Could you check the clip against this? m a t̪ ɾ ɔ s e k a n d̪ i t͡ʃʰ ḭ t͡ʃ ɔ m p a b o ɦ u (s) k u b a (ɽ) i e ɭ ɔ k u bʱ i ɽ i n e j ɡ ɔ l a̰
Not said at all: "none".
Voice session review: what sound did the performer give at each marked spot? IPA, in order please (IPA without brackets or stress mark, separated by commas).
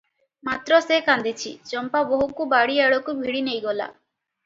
none, ɽ